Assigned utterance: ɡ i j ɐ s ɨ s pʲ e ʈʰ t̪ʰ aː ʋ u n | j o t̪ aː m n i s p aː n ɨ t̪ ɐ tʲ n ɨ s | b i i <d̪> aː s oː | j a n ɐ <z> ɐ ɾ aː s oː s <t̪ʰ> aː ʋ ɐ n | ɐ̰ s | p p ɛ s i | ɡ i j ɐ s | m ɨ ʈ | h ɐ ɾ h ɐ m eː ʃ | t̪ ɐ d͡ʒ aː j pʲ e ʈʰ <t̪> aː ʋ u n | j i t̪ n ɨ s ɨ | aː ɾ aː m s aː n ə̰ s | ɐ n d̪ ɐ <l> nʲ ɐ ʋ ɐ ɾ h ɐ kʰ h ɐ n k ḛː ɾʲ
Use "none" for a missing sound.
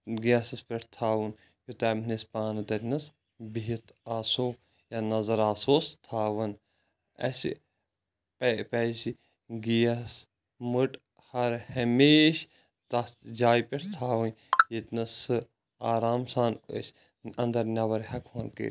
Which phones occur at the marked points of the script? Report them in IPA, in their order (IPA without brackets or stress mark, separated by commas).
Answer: t̪, z, t̪ʰ, t̪ʰ, ɾ